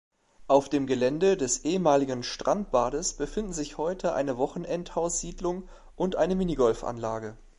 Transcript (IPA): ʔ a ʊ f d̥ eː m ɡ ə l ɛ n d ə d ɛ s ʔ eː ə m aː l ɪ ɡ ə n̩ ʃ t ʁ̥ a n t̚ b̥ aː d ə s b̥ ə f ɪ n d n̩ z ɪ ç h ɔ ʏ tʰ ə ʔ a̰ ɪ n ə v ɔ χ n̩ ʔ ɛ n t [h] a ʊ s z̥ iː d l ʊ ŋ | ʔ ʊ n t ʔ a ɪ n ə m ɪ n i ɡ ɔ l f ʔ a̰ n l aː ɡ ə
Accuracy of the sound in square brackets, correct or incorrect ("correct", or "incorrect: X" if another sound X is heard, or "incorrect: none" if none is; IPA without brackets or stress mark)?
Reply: correct